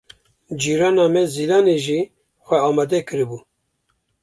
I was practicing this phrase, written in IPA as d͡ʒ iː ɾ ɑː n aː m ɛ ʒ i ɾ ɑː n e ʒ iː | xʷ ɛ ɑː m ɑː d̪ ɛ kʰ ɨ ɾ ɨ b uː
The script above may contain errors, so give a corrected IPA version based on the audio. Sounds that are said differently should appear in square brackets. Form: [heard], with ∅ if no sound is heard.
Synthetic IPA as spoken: d͡ʒ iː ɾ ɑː n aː m ɛ [z] i [l] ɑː n e ʒ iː | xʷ ɛ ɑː m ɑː d̪ ɛ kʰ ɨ ɾ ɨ b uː